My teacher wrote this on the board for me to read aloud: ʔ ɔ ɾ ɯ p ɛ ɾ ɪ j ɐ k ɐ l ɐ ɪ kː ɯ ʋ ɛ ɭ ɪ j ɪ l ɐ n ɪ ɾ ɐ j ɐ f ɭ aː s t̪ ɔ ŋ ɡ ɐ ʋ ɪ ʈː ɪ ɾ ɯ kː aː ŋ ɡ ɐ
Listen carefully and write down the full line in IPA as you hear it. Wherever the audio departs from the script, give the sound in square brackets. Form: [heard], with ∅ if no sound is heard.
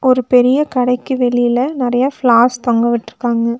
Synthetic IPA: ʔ ɔ ɾ ɯ p ɛ ɾ ɪ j ɐ k ɐ [ɽ] ɐ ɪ kː ɯ ʋ ɛ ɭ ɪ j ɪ l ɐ n ɪ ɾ ɐ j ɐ f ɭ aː s t̪ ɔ ŋ ɡ ɐ ʋ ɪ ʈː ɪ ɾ ɯ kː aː ŋ ɡ ɐ